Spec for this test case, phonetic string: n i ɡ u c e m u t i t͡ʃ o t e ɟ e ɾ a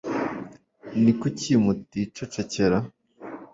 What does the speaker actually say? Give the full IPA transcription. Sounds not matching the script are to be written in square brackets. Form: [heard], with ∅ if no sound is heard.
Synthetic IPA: n i [k] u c [i] m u t i t͡ʃ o [t͡ʃ] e [c] e ɾ a